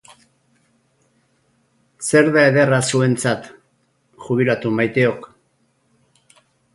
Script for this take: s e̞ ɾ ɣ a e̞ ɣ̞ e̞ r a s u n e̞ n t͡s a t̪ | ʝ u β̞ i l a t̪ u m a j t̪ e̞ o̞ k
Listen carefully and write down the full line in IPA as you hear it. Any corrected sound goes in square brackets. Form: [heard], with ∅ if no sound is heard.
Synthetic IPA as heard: s e̞ ɾ [ð] a e̞ [ð̞] e̞ r a s u [∅] e̞ n t͡s a t̪ | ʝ u β̞ i l a t̪ u m a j t̪ e̞ o̞ k